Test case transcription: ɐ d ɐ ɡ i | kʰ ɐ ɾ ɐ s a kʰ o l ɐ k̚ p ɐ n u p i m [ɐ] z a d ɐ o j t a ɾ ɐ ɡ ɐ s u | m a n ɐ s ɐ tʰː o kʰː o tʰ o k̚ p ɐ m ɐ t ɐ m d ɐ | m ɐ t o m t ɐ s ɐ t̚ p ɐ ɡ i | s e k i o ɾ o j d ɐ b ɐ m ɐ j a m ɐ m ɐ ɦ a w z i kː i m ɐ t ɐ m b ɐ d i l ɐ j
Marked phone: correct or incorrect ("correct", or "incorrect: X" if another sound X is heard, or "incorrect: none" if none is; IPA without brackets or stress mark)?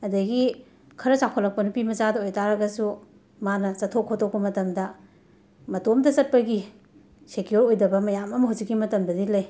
correct